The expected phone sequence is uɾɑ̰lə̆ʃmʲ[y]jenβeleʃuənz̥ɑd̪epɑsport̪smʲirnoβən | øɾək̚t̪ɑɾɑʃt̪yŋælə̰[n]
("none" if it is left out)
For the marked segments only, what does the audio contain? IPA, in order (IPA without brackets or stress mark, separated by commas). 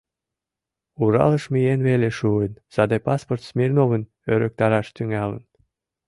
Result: i, n